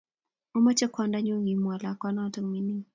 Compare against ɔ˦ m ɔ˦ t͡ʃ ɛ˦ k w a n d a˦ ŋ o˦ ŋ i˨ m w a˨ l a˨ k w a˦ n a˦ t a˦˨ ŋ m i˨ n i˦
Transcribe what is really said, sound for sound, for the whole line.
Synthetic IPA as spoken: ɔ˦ m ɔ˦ t͡ʃ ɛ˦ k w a n d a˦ ɲ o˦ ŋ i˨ m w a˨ l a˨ k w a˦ n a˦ t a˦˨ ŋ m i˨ n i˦

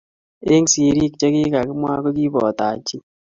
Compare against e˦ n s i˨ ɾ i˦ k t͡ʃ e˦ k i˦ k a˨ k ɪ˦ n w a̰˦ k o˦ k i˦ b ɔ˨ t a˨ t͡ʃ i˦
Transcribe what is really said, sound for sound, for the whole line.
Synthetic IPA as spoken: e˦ ŋ s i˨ ɾ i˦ k t͡ʃ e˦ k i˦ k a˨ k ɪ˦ m w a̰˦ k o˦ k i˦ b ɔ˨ t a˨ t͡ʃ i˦

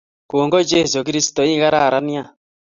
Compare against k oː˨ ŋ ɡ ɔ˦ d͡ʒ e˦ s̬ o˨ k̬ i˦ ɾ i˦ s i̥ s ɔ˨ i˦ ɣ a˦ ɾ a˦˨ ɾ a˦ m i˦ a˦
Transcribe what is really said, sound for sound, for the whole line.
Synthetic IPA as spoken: k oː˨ ŋ ɡ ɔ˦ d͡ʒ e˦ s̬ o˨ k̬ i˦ ɾ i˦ s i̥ t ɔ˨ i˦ ɣ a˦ ɾ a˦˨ ɾ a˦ n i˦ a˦

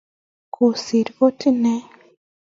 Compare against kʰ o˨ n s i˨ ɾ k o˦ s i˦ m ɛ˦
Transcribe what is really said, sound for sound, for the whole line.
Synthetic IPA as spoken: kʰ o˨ s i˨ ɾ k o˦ t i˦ n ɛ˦

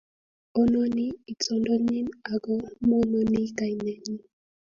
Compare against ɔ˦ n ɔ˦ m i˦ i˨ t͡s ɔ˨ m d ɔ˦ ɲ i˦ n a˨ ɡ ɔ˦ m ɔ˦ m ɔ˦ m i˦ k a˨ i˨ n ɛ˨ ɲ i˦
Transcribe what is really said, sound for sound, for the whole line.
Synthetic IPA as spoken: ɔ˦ n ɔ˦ n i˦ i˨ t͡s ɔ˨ n d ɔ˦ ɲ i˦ n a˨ ɡ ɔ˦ m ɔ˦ n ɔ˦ n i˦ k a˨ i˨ n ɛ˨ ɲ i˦

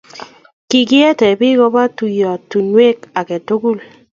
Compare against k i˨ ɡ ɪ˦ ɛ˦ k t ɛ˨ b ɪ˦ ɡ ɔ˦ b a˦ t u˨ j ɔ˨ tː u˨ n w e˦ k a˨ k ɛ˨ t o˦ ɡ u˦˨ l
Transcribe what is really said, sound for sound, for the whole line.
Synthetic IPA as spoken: k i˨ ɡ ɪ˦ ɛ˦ t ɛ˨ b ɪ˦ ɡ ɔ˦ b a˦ t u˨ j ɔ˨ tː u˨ n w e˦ k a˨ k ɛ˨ t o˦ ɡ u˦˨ l

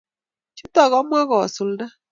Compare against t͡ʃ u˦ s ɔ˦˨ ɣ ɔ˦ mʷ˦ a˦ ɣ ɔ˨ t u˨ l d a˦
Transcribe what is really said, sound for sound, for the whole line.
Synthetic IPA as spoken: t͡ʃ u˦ t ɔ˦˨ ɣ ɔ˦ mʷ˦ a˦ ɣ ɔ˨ s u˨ l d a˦

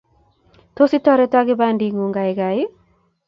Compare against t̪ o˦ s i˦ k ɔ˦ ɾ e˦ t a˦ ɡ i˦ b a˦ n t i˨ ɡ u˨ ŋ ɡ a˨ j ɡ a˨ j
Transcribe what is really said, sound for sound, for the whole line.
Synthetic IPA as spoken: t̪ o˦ s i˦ t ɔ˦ ɾ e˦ t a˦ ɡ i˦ b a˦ n d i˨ ŋ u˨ ŋ ɡ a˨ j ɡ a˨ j

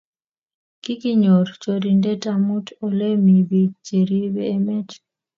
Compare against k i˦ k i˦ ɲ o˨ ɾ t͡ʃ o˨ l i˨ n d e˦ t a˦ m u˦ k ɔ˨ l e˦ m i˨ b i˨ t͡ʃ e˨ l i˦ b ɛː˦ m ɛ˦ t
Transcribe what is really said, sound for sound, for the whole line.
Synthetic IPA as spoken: k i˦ k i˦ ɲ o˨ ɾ t͡ʃ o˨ ɾ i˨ n d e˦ t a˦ m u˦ t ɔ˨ l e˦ m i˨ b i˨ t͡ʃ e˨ ɾ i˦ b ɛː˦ m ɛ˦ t

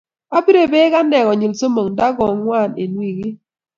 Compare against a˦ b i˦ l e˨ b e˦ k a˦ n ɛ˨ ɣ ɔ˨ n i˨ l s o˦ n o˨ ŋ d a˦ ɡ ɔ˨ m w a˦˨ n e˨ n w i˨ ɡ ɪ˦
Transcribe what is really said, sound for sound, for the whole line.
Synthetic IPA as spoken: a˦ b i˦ ɾ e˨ b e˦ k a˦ n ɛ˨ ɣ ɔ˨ ɲ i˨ l s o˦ m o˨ ŋ d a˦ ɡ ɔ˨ ŋ w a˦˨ n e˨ n w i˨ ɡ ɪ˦

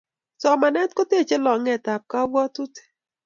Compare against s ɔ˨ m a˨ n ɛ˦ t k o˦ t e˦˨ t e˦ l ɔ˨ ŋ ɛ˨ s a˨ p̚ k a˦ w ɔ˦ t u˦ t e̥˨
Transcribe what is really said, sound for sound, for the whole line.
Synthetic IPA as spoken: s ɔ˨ m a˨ n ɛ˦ t k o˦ t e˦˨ t͡ʃ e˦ l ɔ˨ ŋ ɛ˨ t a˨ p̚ k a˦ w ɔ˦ t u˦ t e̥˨

